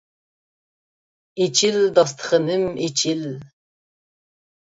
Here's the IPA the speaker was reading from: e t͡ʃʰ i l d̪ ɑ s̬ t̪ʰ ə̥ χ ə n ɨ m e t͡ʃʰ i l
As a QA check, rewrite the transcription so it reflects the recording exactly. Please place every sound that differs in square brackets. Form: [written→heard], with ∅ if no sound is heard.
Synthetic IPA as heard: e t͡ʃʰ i l d̪ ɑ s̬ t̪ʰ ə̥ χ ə n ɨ m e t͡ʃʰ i l